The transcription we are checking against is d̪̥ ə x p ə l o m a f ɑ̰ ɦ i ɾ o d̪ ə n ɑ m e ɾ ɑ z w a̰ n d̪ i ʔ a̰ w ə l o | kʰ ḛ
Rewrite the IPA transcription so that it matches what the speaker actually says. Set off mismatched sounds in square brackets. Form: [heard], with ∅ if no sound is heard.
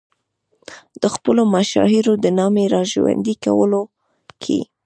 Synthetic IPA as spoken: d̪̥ ə x p ə l o m a [ʃ] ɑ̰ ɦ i ɾ o d̪ ə n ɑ m e ɾ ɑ [ʒ] w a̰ n d̪ i [k] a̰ w ə l o | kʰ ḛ